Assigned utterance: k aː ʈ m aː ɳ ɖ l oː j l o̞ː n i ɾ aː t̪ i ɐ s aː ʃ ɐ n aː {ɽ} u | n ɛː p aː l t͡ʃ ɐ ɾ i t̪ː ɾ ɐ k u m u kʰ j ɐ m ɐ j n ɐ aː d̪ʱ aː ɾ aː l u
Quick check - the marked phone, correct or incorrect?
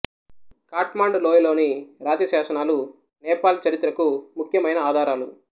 incorrect